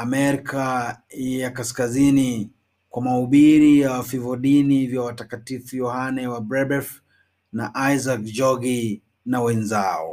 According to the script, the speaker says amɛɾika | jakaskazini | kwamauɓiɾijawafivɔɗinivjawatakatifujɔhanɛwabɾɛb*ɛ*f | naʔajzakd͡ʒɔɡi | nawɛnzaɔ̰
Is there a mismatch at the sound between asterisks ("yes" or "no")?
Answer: no